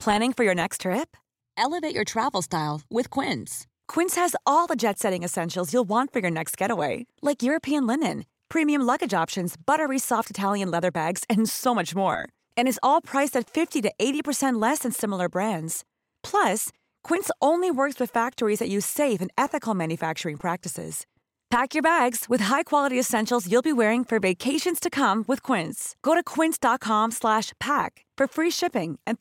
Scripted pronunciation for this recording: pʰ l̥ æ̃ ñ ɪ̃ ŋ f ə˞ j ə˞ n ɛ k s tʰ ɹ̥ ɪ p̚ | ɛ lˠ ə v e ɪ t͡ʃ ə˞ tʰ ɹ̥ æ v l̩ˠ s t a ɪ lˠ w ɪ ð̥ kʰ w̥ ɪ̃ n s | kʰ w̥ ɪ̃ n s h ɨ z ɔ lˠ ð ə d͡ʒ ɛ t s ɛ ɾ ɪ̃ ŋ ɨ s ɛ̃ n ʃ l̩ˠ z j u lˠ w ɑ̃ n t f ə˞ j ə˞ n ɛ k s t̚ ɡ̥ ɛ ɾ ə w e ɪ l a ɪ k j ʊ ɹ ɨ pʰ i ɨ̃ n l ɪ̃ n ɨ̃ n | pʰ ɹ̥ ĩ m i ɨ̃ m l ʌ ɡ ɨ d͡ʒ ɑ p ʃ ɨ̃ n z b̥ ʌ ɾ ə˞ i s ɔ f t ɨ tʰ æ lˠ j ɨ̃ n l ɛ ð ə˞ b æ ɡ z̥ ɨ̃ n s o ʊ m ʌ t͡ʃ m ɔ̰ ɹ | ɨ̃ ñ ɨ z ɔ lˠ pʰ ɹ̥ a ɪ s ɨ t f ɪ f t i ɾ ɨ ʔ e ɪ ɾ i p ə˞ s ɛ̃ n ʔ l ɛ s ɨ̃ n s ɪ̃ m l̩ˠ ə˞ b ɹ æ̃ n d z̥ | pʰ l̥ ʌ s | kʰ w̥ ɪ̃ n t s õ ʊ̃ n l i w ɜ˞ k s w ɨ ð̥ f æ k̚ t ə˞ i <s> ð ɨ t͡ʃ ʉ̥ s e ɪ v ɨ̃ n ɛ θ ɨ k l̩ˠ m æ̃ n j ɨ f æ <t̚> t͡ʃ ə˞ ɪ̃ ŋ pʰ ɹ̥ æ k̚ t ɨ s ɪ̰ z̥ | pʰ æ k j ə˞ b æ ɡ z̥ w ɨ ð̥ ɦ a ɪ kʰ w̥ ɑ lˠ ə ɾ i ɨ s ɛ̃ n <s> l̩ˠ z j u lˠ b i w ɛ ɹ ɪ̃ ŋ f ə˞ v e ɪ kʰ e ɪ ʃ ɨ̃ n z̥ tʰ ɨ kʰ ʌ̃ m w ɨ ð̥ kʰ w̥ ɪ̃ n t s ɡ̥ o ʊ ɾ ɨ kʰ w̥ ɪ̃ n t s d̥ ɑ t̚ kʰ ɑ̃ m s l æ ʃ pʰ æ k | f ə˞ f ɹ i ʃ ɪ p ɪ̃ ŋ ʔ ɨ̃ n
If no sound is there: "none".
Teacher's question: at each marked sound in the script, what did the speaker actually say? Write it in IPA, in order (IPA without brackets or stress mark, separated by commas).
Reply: z, k̚, ʃ